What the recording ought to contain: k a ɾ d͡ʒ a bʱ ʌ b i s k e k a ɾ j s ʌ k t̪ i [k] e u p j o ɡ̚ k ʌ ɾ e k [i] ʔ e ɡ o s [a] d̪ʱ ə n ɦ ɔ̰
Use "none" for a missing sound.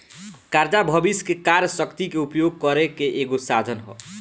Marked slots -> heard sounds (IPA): k, e, a

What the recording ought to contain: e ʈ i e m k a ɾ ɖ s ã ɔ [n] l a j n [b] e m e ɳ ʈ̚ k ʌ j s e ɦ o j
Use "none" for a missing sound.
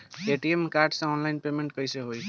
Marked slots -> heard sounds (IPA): n, p

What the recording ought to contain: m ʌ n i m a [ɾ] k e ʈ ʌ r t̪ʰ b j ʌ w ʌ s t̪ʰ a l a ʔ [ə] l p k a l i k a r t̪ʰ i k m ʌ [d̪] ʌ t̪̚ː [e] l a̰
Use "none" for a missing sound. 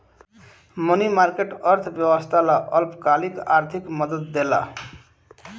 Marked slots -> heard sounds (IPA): r, ʌ, d̪, e

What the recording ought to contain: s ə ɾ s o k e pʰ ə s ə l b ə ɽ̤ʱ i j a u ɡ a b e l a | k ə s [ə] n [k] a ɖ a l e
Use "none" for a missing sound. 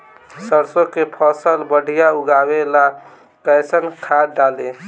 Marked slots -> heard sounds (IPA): ə, kʰ

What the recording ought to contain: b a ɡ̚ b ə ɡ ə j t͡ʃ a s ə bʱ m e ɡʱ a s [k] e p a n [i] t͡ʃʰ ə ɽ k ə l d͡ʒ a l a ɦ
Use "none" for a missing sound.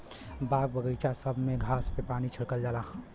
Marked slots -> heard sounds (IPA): p, i

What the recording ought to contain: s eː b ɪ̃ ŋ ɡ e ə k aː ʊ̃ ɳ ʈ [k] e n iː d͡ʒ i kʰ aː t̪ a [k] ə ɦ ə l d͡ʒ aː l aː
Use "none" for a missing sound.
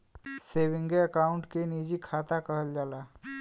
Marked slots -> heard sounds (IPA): k, k

